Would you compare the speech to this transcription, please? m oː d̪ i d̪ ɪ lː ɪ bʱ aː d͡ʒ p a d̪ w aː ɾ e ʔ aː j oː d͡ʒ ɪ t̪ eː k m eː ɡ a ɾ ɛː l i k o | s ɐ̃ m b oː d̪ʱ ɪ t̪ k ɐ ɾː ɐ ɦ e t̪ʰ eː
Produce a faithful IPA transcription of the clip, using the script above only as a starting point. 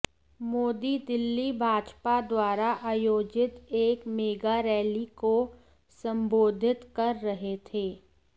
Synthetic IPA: m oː d̪ i d̪ ɪ lː i bʱ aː d͡ʒ p a d̪ w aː ɾ a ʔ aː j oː d͡ʒ ɪ t̪ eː k m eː ɡ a ɾ ɛː l i k o | s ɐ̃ m b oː d̪ʱ ɪ t̪ k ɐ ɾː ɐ ɦ e t̪ʰ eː